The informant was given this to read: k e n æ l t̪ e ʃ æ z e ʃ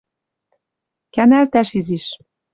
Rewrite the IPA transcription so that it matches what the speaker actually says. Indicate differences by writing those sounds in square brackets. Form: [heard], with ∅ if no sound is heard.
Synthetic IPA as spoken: k [æ] n æ l t̪ [æ] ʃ [i] z [i] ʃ